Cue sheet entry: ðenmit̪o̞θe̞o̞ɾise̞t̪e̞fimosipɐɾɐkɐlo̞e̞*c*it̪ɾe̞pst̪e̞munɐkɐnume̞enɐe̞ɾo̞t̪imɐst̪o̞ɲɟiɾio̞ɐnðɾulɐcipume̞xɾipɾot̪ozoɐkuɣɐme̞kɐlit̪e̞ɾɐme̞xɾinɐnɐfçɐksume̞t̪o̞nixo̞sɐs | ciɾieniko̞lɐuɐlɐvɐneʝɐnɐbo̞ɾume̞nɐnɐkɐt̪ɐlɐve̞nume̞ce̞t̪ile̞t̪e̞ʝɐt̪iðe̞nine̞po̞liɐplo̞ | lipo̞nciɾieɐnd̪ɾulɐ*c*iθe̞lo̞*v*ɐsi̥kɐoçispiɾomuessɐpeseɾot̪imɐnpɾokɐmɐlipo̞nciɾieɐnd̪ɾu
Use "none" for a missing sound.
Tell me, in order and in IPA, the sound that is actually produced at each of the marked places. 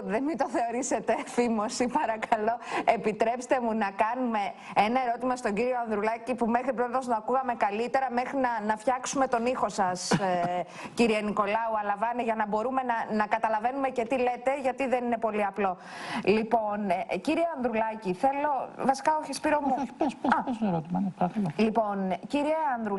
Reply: p, c, v

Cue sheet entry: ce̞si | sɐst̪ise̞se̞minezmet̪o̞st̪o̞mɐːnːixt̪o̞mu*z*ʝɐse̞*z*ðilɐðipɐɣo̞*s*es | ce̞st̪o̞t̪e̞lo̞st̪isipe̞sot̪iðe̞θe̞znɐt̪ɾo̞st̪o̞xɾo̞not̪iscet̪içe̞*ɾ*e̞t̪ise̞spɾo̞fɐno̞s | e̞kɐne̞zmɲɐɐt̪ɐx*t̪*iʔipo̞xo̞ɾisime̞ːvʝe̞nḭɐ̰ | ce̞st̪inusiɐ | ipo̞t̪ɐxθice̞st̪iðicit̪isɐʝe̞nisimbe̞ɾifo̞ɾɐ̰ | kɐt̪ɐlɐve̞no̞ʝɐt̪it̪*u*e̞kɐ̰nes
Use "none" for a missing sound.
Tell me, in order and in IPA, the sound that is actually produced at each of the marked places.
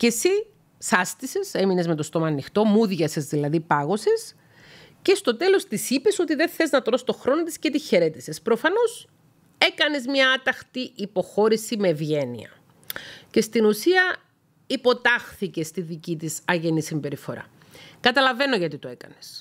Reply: ð, z, s, ɾ, t̪, o

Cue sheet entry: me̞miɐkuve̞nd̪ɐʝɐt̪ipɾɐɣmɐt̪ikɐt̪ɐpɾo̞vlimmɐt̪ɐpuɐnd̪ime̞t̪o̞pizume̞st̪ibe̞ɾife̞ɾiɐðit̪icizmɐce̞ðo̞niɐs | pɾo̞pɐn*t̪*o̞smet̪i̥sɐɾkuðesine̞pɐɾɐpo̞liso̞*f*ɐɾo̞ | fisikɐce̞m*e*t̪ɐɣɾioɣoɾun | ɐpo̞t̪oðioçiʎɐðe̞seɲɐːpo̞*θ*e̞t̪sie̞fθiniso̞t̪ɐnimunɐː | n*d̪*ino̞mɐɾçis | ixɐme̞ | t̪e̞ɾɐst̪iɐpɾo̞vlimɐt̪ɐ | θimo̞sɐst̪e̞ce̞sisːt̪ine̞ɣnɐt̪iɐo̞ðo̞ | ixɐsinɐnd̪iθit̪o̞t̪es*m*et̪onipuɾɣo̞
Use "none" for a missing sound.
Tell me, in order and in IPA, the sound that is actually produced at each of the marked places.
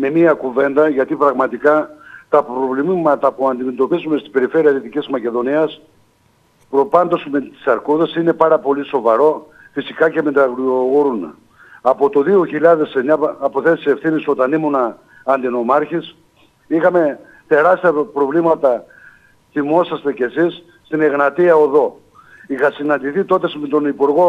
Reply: d̪, v, e, θ, d̪, m

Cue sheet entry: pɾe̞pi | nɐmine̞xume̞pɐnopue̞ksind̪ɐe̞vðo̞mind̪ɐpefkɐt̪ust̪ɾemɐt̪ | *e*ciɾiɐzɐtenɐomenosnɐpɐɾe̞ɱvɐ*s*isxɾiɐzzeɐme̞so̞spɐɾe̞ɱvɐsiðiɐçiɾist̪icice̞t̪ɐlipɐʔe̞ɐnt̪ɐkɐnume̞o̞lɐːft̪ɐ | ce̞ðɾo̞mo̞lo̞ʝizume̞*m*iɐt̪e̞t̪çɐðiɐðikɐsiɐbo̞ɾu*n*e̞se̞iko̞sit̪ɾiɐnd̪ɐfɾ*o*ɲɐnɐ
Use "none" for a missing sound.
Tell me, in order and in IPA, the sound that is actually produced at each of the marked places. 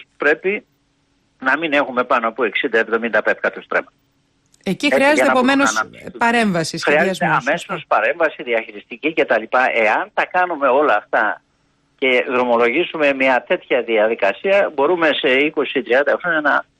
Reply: e, s, m, m, o

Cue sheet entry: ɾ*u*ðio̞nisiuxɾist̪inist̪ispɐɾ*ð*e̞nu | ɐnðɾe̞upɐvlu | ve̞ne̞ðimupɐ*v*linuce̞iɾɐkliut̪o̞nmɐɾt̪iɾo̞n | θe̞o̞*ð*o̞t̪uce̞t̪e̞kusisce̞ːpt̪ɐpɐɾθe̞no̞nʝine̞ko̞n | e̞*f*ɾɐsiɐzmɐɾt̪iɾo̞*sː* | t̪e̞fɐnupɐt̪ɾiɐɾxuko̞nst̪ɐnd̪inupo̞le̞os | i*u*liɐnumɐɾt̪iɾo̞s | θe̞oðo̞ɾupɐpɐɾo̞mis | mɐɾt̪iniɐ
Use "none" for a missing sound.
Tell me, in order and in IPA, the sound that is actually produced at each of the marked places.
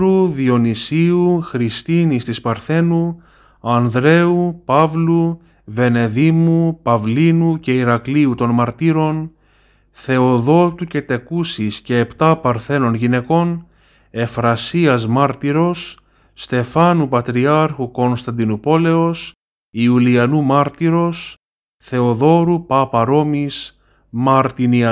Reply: u, θ, v, ð, f, sː, u

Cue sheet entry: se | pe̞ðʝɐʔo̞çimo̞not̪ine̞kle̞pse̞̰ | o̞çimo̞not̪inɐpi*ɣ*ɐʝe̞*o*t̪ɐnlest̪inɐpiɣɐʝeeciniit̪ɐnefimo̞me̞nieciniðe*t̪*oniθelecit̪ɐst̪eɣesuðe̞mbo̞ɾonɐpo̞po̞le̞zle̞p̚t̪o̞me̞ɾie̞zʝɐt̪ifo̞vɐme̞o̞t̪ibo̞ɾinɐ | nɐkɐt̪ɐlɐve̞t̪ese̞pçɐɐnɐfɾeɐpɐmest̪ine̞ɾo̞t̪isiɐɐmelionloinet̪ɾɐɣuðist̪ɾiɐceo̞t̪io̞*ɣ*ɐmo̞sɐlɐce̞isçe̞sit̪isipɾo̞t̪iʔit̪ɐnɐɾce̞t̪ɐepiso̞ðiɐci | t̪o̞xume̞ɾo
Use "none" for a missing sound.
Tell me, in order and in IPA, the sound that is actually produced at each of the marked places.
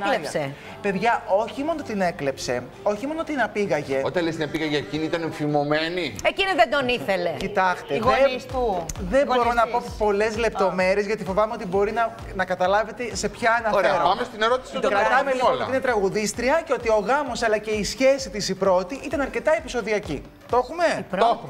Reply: ɣ, o, d̪, ɣ

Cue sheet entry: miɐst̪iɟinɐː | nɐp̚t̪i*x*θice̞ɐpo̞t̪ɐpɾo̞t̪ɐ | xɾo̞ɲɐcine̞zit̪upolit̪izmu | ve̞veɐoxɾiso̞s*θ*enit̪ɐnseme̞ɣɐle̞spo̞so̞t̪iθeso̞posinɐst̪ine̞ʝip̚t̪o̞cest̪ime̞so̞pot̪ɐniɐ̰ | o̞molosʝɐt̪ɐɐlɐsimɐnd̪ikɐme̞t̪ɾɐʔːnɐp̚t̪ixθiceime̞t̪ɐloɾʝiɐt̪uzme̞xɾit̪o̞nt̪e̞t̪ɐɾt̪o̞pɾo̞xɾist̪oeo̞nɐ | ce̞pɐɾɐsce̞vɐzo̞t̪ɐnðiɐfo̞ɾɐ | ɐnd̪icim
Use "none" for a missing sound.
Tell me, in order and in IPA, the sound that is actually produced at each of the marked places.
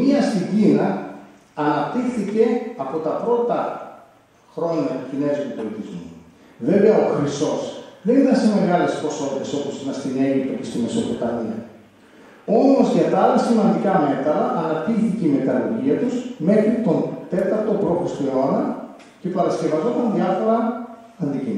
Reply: x, ð

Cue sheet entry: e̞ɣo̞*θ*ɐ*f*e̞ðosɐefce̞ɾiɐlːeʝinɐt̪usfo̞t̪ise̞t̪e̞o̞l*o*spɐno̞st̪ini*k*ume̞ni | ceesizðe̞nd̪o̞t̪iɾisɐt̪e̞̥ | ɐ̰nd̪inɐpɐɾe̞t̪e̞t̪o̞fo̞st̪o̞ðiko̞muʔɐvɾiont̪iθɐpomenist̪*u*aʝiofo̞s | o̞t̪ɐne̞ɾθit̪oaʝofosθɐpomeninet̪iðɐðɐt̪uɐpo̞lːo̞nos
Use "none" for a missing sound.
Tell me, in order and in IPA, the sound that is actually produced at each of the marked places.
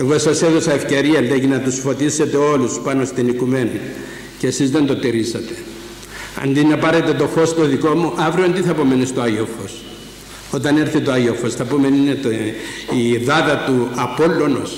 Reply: s, s, u, k, o

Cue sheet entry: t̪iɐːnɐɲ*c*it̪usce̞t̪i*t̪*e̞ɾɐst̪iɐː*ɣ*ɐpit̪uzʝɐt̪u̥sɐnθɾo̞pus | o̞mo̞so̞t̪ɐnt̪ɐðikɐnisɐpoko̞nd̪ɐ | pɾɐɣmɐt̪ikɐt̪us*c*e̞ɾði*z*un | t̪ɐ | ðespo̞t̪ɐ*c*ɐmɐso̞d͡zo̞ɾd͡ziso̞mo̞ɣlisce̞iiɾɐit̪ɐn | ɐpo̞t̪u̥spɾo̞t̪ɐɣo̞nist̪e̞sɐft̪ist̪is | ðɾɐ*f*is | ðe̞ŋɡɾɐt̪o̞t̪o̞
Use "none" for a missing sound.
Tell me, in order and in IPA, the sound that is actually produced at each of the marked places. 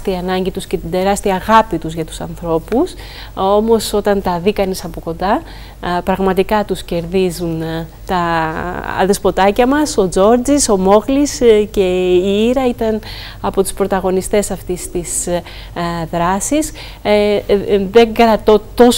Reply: ɟ, d̪, ɣ, c, z, c, s

